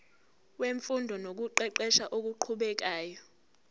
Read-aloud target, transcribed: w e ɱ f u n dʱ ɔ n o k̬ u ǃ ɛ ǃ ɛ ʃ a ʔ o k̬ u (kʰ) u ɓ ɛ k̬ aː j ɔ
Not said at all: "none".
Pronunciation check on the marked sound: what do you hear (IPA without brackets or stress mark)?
ǃʰ